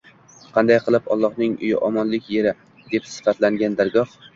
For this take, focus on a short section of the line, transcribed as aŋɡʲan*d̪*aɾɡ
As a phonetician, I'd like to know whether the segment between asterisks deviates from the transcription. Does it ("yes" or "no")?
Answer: no